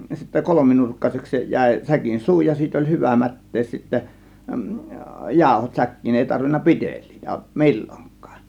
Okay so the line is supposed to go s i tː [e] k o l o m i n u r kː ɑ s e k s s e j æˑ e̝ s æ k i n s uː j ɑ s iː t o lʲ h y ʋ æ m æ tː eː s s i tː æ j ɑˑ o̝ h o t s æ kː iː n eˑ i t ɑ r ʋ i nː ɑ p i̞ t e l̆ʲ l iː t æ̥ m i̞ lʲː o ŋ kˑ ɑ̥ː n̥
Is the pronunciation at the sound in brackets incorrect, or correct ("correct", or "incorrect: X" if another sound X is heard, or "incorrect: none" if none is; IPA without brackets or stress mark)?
incorrect: æ